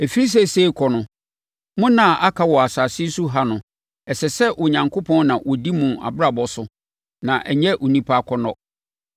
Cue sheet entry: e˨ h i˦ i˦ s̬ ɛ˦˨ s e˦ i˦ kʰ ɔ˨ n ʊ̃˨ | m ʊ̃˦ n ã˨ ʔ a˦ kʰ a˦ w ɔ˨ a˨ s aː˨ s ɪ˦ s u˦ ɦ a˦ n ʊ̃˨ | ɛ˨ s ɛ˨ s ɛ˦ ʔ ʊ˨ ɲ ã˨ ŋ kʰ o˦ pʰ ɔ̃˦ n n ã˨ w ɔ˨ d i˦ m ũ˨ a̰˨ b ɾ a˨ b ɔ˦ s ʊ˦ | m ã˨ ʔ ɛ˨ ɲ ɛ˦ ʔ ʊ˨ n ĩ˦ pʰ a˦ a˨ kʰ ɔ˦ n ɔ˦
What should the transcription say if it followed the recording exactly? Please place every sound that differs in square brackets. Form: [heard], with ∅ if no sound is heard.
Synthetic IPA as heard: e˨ [f] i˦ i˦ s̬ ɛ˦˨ s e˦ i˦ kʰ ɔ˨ n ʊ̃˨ | m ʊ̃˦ n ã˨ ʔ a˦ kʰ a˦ w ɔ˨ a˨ s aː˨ s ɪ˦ s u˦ ɦ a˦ n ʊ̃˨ | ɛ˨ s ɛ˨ s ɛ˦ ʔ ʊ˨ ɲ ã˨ ŋ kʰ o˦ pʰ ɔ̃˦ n n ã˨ w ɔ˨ d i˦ m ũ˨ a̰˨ b ɾ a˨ b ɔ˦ s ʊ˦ | [n] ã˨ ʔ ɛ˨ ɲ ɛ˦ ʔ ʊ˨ n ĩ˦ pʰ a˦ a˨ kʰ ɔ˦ n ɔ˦